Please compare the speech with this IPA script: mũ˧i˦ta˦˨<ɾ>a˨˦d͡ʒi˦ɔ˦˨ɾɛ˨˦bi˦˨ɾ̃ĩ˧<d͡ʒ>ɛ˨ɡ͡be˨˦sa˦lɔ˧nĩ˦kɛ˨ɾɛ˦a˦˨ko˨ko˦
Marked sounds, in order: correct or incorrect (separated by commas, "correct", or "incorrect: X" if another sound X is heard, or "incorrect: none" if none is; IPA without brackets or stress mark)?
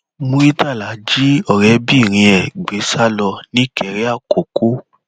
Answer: incorrect: l, incorrect: none